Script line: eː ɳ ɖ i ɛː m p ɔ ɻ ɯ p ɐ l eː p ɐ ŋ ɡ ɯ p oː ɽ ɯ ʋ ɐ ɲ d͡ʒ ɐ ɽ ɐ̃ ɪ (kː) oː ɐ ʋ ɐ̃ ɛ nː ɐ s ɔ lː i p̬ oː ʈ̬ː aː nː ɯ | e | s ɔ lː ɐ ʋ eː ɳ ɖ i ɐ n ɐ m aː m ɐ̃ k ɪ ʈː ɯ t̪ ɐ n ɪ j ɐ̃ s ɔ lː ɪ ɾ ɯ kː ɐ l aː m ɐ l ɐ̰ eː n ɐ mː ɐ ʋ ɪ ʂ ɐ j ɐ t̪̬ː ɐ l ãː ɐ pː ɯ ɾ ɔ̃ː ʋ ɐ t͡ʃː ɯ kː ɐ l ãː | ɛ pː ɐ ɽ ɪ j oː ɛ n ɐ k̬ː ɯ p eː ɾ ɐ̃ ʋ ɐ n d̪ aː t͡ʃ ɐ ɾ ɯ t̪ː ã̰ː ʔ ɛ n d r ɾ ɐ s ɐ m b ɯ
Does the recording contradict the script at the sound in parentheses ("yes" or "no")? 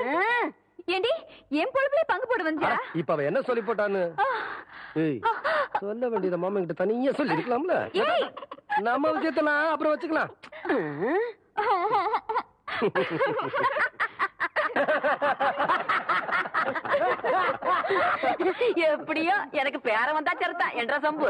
yes